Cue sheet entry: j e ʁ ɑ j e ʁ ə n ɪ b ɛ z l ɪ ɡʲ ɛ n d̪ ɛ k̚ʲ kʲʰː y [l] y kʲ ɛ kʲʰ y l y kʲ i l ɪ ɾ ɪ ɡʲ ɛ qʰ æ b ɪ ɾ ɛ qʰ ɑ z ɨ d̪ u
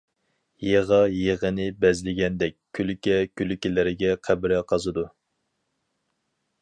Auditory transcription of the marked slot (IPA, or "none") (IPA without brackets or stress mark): l